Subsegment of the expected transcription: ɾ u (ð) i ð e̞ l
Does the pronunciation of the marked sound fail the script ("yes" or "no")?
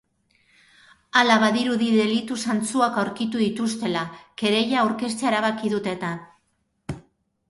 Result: no